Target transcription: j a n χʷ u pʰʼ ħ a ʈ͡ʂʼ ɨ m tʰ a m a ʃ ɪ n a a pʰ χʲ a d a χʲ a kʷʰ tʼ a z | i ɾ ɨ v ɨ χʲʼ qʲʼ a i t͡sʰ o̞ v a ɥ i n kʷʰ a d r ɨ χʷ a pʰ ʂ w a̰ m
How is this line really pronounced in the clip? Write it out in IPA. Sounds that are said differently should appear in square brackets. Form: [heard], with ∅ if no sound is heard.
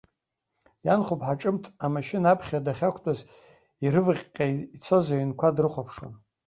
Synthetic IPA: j a n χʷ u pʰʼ ħ a ʈ͡ʂʼ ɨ m tʰ a m a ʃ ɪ n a a pʰ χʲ a d a χʲ a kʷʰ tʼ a z | i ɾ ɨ v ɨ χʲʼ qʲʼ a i t͡sʰ o̞ [z] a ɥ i n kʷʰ a d r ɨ χʷ a pʰ ʂ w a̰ [n]